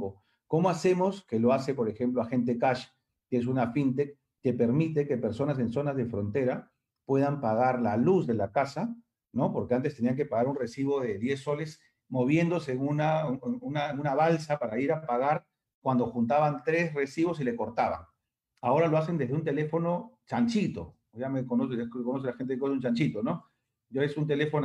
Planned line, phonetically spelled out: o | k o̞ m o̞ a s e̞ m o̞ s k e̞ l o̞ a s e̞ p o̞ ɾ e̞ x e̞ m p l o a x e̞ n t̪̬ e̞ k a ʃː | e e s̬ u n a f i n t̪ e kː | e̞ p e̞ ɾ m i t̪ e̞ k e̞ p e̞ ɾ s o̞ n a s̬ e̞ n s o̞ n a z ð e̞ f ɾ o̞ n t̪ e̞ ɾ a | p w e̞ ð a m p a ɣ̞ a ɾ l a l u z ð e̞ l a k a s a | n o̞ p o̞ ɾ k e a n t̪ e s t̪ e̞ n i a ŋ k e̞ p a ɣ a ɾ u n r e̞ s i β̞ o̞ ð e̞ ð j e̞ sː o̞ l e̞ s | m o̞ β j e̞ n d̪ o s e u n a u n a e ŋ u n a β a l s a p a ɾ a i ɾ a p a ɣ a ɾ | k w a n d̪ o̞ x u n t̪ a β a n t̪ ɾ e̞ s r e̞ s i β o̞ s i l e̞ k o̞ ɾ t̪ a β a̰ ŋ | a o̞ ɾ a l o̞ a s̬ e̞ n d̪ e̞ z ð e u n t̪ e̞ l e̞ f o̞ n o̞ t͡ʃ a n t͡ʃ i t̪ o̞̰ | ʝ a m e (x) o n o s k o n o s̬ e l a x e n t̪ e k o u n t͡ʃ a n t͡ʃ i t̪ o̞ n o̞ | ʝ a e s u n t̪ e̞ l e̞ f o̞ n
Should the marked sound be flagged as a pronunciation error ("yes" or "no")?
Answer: yes